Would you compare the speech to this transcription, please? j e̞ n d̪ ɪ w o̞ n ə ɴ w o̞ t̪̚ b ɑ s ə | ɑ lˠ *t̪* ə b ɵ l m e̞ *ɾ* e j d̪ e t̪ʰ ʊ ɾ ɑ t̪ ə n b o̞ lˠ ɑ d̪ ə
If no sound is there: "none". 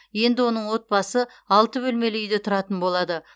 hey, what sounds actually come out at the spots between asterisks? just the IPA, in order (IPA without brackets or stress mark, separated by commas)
t̪, l